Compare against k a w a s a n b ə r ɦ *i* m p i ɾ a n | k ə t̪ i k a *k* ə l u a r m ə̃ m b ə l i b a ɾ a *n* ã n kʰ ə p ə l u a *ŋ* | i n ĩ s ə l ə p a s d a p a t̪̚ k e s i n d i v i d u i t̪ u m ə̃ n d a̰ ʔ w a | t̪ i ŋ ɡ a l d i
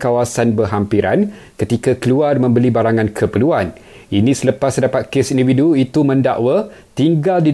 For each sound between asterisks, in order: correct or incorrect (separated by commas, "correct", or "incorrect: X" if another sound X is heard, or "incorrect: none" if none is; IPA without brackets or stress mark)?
incorrect: a, correct, incorrect: ŋ, incorrect: n